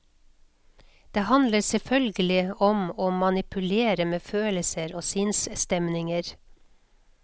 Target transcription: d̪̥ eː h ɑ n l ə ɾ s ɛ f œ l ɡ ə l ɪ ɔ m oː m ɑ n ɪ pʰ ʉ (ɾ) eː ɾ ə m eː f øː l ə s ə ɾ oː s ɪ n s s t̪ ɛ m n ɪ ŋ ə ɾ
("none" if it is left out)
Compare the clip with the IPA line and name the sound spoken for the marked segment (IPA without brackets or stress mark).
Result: l